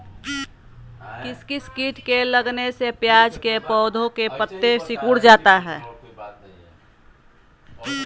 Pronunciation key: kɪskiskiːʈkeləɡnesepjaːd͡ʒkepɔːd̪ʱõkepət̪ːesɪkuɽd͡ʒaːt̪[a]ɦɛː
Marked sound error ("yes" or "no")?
no